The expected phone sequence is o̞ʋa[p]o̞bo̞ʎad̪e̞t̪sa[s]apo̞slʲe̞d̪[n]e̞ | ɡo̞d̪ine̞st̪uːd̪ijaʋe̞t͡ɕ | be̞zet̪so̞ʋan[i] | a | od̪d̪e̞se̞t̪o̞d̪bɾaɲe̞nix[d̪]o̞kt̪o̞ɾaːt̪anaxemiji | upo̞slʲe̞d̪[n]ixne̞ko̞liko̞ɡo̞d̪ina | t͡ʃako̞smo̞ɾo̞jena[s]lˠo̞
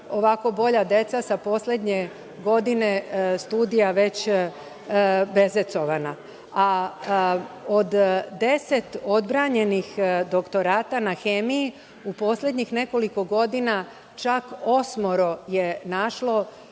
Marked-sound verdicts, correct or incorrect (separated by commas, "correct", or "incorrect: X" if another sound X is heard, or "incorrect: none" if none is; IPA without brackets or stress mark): incorrect: k, correct, incorrect: ɲ, incorrect: a, correct, incorrect: ɲ, incorrect: ʃ